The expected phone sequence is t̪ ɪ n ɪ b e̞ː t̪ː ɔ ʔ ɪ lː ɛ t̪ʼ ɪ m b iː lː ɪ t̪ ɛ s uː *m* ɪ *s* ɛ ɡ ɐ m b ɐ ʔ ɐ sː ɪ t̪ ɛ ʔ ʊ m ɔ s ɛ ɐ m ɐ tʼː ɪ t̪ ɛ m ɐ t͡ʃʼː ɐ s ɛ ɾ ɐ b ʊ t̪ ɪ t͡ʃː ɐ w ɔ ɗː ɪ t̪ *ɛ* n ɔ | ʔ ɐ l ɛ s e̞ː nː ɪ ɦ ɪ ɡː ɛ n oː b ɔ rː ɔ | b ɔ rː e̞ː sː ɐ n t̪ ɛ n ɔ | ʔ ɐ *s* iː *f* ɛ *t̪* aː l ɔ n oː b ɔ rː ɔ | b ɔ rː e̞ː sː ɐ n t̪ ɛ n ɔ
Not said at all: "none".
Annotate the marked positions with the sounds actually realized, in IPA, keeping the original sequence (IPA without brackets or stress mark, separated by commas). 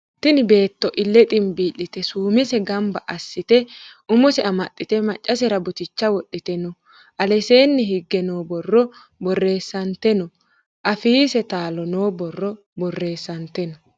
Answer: m, s, ɛ, f, s, t̪